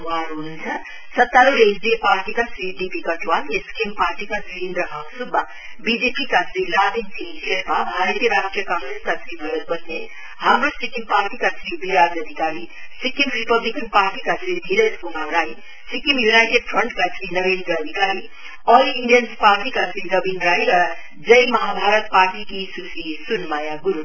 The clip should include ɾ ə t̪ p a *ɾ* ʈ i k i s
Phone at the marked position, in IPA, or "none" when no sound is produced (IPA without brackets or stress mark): ɾ